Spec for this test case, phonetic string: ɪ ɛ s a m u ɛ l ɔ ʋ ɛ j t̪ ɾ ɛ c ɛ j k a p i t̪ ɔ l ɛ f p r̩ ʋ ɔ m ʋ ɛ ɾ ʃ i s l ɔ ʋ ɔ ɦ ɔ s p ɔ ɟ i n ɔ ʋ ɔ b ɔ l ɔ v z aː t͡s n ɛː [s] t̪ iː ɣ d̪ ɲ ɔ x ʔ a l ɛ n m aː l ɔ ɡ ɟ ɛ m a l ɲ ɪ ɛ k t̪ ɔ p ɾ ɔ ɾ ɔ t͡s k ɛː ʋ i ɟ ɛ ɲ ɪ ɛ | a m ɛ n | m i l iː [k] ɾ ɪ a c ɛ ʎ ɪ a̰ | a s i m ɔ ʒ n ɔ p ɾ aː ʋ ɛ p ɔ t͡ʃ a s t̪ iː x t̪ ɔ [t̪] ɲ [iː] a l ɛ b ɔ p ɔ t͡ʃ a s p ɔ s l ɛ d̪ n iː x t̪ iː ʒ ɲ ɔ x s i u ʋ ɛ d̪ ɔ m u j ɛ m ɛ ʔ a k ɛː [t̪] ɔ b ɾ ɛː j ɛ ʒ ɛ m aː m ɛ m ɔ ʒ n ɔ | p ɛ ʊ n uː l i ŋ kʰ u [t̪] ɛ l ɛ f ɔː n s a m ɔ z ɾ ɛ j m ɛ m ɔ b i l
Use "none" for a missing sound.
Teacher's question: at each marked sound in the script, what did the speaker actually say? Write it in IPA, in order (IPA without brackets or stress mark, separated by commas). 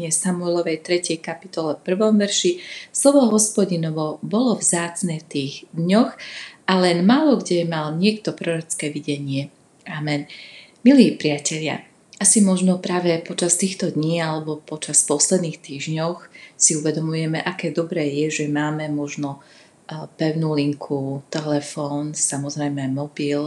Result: f, p, d̪, iː, d̪, t̪